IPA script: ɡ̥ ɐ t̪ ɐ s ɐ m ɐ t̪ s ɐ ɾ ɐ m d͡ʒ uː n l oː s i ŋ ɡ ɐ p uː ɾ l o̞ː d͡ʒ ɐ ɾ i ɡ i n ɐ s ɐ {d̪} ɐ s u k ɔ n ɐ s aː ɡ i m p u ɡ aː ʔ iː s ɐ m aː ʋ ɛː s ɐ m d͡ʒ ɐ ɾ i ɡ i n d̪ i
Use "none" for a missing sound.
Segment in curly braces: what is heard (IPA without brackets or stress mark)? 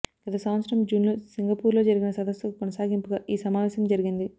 d̪